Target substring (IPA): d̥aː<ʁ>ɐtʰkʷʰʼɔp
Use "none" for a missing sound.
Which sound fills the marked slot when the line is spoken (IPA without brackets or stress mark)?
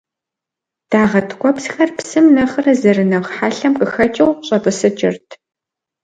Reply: ʁ